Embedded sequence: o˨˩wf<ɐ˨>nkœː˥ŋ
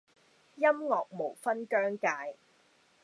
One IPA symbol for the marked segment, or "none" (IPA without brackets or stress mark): ɐ˥